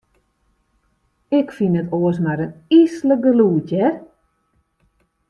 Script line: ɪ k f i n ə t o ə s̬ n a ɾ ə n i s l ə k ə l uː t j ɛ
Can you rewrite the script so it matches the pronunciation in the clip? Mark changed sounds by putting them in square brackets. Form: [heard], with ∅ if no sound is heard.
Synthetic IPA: ɪ k f i n ə t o ə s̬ [m] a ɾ ə n i s l ə [ɡ] ə l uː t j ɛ